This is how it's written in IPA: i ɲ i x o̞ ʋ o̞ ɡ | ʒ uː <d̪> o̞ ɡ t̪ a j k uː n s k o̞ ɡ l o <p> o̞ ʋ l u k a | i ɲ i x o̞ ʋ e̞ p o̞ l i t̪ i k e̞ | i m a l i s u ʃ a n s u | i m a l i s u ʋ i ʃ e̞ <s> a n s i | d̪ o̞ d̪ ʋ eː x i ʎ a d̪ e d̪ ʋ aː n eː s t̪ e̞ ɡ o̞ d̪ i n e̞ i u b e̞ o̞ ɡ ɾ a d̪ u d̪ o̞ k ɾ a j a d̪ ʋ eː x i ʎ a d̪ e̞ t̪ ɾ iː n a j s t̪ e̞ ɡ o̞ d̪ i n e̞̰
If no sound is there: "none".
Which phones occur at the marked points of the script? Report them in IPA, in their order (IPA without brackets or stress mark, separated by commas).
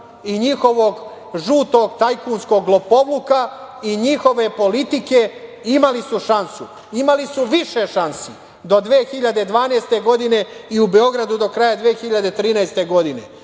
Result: t̪, p, ʃ